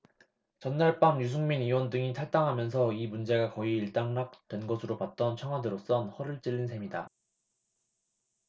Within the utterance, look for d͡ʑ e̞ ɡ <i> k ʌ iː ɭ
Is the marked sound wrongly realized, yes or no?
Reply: yes